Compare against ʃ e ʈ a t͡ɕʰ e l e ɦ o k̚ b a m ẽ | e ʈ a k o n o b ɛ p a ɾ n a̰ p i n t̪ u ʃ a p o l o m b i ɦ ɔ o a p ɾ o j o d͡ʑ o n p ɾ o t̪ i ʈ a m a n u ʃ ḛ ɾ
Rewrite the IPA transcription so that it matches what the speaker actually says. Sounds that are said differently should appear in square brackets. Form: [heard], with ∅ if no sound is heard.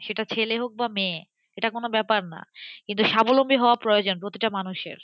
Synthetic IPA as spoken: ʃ e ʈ a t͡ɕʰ e l e ɦ o k̚ b a m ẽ | e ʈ a k o n o b ɛ p a ɾ n a̰ [k] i n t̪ u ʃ a [b] o l o m b i ɦ ɔ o a p ɾ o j o d͡ʑ o n p ɾ o t̪ i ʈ a m a n u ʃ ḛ ɾ